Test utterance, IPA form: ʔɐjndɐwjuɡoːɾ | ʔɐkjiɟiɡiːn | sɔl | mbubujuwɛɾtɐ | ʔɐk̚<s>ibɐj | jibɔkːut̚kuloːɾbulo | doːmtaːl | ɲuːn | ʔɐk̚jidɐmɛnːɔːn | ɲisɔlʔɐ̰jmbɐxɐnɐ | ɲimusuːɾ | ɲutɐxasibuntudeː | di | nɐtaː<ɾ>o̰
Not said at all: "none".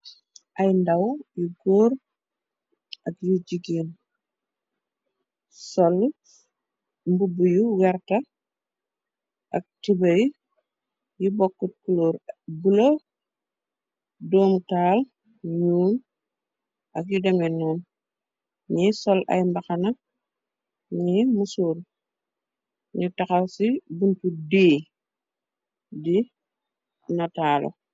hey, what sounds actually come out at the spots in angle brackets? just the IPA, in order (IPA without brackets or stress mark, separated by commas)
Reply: t, l